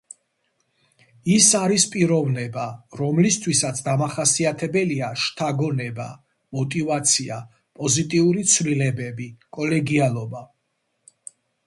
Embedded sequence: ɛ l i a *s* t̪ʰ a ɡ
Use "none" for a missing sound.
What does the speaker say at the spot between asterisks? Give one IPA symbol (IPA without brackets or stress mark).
ʃ